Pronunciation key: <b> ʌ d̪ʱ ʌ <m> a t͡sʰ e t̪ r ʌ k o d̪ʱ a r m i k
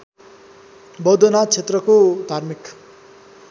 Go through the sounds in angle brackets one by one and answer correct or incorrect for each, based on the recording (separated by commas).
correct, incorrect